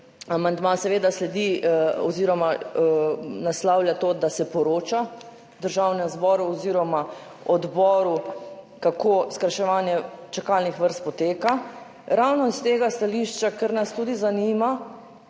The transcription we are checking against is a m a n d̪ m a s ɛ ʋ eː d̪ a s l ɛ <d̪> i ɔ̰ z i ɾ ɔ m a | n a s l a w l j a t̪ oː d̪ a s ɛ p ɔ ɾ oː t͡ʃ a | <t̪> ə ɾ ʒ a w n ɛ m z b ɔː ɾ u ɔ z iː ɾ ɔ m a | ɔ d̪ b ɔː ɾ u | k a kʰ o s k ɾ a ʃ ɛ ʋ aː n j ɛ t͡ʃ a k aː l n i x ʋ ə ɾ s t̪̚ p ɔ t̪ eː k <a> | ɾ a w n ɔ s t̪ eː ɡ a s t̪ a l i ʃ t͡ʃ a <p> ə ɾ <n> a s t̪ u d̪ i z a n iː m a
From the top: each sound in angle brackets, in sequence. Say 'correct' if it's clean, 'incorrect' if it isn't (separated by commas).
correct, incorrect, correct, incorrect, correct